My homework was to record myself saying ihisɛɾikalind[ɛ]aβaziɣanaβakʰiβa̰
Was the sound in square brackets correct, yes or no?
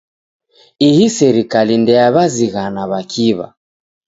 yes